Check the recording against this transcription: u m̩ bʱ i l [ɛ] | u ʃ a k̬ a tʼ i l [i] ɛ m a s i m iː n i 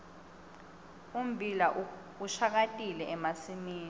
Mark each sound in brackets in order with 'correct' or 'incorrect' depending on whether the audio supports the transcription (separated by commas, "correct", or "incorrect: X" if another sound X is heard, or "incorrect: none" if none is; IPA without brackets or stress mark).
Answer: incorrect: a, incorrect: ɛ